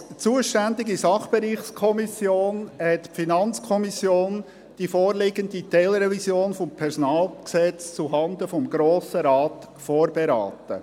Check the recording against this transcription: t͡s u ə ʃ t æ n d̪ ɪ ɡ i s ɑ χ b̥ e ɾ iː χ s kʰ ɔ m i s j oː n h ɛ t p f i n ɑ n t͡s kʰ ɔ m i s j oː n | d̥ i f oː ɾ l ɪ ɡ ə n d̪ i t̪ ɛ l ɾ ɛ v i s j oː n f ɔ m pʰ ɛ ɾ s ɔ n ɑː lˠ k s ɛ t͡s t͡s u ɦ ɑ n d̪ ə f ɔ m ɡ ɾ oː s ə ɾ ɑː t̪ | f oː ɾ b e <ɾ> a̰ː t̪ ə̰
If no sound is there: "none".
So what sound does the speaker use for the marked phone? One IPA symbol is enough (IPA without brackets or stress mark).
ɾ